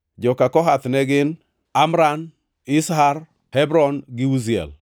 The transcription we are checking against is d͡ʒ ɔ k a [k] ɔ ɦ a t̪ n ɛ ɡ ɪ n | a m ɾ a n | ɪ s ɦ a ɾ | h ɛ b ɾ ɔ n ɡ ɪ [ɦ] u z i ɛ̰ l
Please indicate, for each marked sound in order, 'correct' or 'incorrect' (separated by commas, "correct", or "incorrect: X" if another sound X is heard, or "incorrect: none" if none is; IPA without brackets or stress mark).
correct, incorrect: none